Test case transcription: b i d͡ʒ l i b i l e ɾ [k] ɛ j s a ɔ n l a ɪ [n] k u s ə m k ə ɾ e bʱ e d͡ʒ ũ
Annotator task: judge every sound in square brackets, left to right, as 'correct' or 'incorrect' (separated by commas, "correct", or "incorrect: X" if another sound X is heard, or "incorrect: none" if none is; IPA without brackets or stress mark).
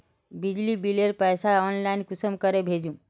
incorrect: p, correct